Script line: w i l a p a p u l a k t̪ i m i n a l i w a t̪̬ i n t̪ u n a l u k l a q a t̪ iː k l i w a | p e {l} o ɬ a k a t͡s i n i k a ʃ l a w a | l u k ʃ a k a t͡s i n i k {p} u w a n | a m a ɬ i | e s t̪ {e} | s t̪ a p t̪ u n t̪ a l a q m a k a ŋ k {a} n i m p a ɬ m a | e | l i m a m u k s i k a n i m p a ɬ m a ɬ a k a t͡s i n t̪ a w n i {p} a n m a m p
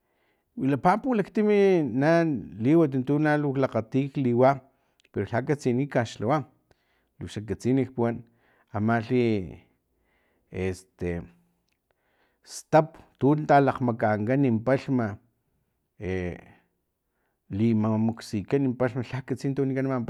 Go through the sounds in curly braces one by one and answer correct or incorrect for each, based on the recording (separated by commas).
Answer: incorrect, correct, correct, correct, incorrect